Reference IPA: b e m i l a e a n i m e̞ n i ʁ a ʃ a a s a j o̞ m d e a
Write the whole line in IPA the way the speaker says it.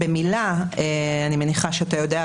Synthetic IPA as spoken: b e m i l a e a n i m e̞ n i χ a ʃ e a t a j o̞ d e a